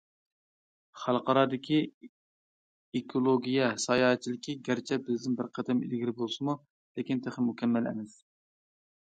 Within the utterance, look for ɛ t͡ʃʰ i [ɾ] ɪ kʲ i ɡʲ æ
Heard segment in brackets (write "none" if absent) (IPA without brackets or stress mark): l